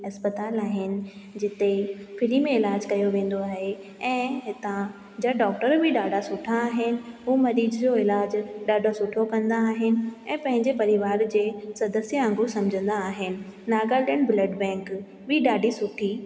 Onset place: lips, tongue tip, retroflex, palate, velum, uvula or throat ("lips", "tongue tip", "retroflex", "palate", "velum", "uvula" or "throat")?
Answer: tongue tip